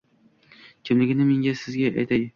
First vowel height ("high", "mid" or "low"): high